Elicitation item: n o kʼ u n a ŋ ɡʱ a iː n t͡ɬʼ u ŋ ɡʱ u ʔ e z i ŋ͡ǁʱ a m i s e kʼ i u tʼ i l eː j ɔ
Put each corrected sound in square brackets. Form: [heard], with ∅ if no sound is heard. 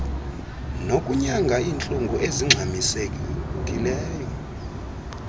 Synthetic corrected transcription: n o kʼ u [ɲ] a ŋ ɡʱ a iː n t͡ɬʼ u ŋ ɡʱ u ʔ e z i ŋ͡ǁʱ a m i s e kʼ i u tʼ i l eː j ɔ